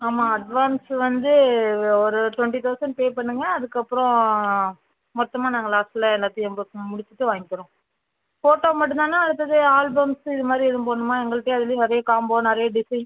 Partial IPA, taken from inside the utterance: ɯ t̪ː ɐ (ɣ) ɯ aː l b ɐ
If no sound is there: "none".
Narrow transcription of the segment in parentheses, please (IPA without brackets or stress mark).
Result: ð